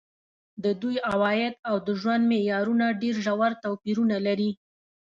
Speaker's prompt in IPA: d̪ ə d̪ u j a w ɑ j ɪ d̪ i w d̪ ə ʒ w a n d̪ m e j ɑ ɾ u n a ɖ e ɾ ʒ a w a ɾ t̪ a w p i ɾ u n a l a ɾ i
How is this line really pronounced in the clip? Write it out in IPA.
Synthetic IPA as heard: d̪ ə d̪ u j a w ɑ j ɪ d̪ a w d̪ ə ʒ w a n d̪ m e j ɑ ɾ u n a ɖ e ɾ ʒ a w a ɾ t̪ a w p i ɾ u n a l a ɾ i